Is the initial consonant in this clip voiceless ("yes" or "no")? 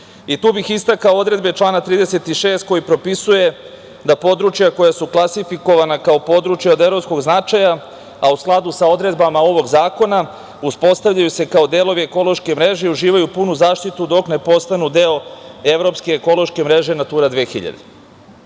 yes